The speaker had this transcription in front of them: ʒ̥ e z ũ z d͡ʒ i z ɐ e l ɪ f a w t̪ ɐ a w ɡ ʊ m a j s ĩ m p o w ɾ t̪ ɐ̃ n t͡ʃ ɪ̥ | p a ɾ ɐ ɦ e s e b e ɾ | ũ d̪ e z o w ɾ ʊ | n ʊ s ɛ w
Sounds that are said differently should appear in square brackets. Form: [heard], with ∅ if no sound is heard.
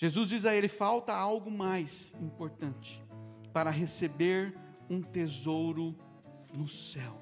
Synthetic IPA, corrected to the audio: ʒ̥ e z [u] z d͡ʒ i z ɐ e l ɪ f a w t̪ ɐ a w ɡ ʊ m a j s ĩ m p o [∅] ɾ t̪ ɐ̃ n t͡ʃ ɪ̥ | p a ɾ ɐ ɦ e s e b e ɾ | ũ [t̪] e z o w ɾ ʊ | n ʊ s ɛ w